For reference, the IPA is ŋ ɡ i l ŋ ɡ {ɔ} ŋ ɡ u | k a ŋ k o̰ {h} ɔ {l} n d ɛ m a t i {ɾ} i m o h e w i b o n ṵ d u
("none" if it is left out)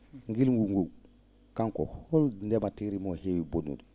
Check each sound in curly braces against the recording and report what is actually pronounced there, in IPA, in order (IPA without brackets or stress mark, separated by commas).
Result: u, h, l, ɾ